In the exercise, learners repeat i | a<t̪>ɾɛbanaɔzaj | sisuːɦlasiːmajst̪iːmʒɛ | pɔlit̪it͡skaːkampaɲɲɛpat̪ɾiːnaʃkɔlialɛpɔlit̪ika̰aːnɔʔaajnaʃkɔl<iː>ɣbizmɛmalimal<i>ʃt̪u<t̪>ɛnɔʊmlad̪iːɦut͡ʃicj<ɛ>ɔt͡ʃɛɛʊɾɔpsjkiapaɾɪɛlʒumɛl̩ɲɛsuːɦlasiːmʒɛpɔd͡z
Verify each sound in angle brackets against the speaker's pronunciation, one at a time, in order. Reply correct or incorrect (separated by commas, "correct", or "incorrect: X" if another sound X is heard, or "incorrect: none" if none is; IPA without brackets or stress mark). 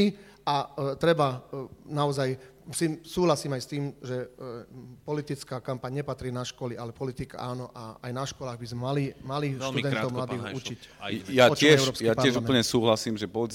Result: correct, incorrect: aː, correct, incorrect: d̪, incorrect: a